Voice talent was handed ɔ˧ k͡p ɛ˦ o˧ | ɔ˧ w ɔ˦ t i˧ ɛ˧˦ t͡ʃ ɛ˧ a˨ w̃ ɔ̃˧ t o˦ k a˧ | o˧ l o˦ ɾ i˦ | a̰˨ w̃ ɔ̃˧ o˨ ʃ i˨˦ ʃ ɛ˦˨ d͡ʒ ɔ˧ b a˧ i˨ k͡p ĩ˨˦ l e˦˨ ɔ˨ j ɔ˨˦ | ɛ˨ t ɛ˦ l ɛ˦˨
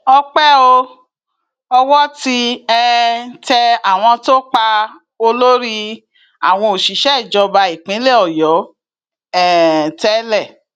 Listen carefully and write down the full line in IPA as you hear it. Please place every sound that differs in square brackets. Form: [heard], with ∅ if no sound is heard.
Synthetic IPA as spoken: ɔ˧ k͡p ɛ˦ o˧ | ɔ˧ w ɔ˦ t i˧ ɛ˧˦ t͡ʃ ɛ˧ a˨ w̃ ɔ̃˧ t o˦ [k͡p] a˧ | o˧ l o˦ ɾ i˦ | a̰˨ w̃ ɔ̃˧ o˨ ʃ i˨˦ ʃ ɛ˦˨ d͡ʒ ɔ˧ b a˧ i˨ k͡p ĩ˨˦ l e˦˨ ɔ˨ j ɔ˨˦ | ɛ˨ t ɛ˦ l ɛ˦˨